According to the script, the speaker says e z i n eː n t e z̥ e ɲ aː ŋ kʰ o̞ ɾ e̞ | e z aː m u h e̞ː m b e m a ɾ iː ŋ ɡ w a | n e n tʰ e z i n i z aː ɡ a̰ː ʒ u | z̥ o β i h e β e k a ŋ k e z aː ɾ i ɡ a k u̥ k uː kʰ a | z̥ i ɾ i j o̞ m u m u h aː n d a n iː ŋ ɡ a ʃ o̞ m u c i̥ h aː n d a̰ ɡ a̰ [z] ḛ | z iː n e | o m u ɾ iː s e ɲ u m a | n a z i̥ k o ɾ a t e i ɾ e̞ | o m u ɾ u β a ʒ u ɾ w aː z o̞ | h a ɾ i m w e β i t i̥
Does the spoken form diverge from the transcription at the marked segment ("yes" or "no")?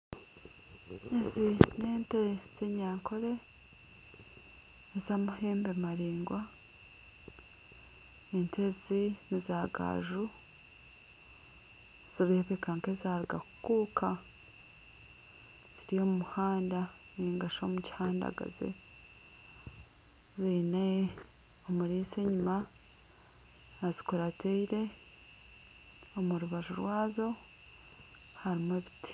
no